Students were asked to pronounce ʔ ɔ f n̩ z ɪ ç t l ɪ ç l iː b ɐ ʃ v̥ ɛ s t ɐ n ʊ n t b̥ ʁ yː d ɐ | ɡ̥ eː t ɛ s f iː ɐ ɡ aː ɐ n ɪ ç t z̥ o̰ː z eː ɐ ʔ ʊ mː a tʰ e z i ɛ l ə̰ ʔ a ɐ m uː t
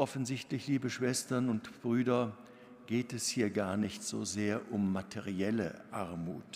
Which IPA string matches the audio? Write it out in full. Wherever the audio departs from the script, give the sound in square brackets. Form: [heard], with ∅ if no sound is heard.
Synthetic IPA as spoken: ʔ ɔ f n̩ z ɪ ç t l ɪ ç l iː b [ə] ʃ v̥ ɛ s t ɐ n ʊ n t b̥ ʁ yː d ɐ | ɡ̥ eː t ɛ s [h] iː ɐ ɡ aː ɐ n ɪ ç t z̥ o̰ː z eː ɐ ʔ ʊ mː a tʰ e [ʁ] i ɛ l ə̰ ʔ a ɐ m uː t